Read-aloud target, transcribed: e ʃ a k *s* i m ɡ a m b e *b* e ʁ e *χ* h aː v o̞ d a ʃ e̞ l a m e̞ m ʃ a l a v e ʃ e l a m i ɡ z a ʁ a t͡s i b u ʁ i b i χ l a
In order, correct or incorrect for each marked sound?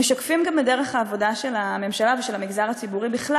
incorrect: f, incorrect: d, correct

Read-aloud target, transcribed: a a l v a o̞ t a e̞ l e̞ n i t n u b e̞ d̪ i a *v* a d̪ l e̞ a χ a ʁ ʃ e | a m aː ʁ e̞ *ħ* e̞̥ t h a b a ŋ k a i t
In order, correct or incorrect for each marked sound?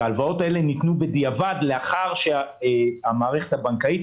correct, incorrect: χ

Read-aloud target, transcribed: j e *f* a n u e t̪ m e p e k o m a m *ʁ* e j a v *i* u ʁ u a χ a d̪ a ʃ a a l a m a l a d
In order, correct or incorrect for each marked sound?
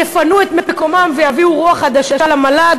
correct, incorrect: v, correct

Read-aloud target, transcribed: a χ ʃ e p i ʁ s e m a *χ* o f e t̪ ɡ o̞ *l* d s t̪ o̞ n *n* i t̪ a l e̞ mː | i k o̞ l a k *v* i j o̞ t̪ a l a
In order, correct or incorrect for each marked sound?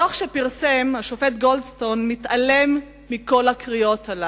incorrect: ʃ, correct, incorrect: m, incorrect: ʁ

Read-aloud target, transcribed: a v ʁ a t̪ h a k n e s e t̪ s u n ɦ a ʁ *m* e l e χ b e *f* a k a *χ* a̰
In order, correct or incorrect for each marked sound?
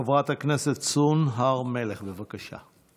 correct, incorrect: v, incorrect: ʃ

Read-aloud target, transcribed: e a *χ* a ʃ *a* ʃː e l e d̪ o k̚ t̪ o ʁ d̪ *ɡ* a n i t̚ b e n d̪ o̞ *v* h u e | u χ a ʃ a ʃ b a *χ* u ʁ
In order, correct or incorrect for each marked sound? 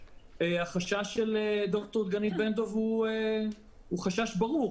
correct, correct, correct, correct, incorrect: ʁ

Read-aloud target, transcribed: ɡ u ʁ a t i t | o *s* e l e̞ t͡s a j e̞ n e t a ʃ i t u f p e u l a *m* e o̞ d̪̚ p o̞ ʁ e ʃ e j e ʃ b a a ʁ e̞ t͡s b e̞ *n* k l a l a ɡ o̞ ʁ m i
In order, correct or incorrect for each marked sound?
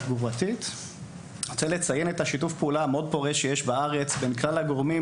incorrect: t͡s, correct, correct

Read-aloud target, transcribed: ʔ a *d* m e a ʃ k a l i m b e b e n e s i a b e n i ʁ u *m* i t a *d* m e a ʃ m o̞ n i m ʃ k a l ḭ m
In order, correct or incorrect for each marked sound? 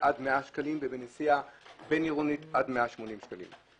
correct, incorrect: n, correct

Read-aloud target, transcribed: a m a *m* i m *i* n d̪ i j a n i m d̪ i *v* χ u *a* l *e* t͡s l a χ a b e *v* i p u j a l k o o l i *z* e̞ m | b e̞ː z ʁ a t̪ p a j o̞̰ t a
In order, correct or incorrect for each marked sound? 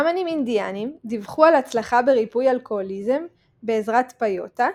incorrect: n, correct, correct, correct, incorrect: a, incorrect: ʁ, correct

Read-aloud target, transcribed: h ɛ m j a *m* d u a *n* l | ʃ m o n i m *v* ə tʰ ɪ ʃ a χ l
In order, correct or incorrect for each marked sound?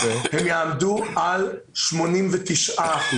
correct, incorrect: none, correct

